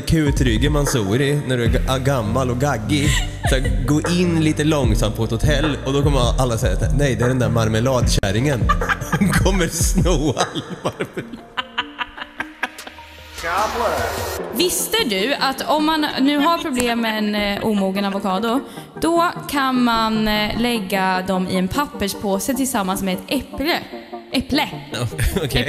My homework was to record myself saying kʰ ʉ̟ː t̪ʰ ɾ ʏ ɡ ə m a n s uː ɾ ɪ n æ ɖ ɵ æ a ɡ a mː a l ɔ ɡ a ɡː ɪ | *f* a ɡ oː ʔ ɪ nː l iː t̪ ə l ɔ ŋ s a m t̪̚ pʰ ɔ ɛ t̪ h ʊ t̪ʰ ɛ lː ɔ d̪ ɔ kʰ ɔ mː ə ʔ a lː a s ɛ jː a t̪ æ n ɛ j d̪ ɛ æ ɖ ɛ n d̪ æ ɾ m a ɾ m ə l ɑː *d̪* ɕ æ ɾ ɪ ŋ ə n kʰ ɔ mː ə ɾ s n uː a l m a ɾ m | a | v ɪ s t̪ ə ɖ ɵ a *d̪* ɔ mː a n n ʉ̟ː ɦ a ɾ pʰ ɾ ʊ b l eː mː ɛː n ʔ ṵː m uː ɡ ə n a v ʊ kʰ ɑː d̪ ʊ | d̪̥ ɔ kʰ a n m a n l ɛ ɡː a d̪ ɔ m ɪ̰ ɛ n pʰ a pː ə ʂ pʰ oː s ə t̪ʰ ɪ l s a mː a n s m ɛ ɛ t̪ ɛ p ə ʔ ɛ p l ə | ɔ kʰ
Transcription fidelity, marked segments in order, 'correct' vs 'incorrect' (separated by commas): incorrect, correct, incorrect